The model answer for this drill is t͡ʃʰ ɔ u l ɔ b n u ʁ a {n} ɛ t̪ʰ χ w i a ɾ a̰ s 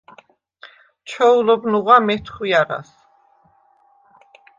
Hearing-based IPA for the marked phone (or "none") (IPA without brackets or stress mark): m